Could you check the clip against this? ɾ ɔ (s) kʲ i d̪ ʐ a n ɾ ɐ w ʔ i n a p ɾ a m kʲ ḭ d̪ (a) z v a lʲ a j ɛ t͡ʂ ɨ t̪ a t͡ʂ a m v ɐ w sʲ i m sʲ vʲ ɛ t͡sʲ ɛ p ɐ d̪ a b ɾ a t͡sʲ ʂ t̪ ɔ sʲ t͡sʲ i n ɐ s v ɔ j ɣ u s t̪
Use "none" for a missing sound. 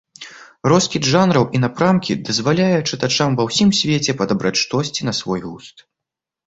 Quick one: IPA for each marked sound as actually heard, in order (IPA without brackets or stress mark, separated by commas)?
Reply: s, ɐ